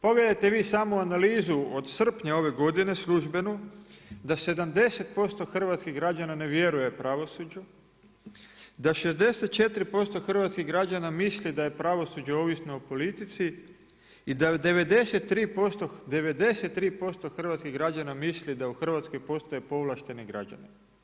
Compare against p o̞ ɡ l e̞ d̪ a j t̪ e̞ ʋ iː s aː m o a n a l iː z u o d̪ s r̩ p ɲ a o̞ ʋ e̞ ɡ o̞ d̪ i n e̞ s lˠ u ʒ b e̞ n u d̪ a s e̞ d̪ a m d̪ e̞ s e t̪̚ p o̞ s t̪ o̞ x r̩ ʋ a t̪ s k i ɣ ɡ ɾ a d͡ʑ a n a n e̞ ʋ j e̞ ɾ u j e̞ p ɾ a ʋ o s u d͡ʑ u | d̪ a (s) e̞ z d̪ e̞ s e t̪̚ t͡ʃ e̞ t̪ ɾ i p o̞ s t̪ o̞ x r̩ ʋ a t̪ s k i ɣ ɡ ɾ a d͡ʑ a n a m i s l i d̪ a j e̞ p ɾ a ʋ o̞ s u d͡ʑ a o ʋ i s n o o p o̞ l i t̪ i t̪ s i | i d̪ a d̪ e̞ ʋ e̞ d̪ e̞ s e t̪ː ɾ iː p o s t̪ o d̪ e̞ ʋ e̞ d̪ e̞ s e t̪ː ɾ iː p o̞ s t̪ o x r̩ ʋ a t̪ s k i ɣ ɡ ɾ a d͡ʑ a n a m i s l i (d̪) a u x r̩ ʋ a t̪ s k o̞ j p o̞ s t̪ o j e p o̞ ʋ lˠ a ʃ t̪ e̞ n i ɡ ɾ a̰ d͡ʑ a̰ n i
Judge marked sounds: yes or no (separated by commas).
no, yes